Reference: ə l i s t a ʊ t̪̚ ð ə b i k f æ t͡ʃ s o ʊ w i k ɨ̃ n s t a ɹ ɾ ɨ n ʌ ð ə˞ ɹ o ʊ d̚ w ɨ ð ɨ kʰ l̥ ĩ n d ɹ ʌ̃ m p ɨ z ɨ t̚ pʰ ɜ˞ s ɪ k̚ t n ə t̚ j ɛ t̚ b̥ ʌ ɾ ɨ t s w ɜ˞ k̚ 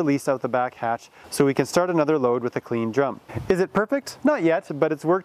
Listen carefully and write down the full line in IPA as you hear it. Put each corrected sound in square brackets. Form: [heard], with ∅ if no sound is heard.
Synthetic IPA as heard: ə l i s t a ʊ t̪̚ ð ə b [æ] k [h] æ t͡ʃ s o ʊ w i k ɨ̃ n s t [ɑ] ɹ ɾ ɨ n ʌ ð ə˞ [l] o ʊ d̚ w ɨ ð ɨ kʰ l̥ ĩ n d ɹ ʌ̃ m p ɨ z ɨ t̚ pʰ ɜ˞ [f] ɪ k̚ t n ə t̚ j ɛ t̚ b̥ ʌ ɾ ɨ t s w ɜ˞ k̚